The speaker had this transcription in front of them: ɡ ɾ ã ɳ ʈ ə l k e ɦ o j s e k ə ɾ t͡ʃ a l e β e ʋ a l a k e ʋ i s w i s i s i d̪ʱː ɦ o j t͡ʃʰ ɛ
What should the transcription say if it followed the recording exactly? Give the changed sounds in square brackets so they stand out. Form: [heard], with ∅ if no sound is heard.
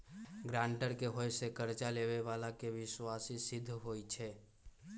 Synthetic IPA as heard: ɡ ɾ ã ɳ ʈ ə [ɾ] k e ɦ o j s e k ə ɾ t͡ʃ a l e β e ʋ a l a k e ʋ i s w [a] s i s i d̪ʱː ɦ o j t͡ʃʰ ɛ